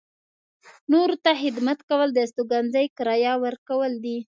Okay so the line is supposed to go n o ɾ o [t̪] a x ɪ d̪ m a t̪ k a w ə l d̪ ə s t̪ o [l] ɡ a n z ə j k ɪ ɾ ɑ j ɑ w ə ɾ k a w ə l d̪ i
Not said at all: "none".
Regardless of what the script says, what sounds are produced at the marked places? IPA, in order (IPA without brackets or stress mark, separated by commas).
t̪, none